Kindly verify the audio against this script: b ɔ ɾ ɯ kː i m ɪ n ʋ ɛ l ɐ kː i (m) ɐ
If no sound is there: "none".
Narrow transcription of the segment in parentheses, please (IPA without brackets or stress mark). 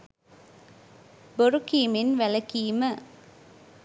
m